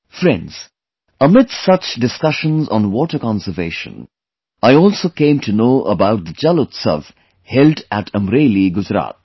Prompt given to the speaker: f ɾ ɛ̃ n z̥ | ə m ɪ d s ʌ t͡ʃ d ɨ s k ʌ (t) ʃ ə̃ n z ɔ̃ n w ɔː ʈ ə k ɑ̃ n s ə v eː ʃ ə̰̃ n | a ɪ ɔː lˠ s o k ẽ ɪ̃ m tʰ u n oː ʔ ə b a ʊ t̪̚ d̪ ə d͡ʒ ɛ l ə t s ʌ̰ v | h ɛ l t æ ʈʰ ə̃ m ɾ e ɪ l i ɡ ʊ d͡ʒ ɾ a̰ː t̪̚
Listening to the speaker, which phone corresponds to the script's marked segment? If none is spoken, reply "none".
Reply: none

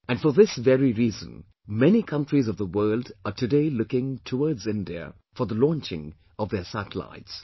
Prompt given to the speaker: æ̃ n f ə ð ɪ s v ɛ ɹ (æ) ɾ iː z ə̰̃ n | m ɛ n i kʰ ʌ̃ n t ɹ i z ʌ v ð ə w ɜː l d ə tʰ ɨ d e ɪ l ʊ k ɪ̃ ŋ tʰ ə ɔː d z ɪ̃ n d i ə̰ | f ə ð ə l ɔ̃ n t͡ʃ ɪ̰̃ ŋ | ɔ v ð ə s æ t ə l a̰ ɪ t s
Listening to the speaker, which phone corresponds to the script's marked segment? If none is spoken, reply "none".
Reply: i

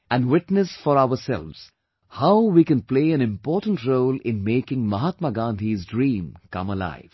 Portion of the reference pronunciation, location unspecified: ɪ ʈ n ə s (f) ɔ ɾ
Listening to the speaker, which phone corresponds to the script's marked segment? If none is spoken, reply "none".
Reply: f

